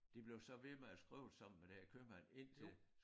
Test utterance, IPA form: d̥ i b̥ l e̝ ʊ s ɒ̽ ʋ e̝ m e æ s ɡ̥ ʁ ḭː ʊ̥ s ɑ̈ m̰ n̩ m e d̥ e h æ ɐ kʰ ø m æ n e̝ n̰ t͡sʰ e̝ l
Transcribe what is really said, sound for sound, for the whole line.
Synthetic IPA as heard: d̥ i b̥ l e̝ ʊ s ɒ̽ ʋ e̝ m e æ s ɡ̥ ʁ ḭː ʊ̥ s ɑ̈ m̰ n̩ m e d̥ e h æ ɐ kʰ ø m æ n e̝ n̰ t͡sʰ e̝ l